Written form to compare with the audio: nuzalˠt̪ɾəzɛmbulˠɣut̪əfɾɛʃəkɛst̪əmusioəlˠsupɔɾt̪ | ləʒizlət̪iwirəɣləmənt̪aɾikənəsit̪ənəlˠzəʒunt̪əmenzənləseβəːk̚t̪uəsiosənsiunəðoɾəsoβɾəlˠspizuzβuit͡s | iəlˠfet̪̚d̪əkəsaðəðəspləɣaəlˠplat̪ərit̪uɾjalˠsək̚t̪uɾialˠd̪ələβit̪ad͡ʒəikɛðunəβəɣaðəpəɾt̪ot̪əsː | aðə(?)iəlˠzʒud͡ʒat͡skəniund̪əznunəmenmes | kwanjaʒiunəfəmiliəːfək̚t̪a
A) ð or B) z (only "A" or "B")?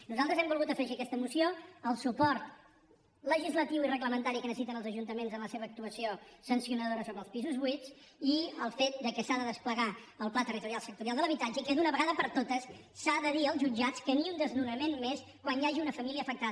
A